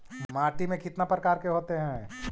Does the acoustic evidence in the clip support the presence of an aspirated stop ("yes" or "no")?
no